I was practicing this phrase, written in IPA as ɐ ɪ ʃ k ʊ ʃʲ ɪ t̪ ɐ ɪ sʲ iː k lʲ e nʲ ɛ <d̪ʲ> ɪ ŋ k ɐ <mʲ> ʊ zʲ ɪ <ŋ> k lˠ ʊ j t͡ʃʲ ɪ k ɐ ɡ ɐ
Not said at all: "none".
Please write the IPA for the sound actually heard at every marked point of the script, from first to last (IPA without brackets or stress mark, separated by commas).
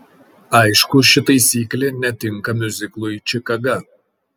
t̪ʲ, mʲ, none